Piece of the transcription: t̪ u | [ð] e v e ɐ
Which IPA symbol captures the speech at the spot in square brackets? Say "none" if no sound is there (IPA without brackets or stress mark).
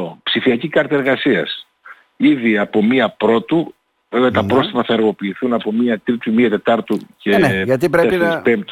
v